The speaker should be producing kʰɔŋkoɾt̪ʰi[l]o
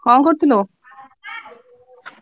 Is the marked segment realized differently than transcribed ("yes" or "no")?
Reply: no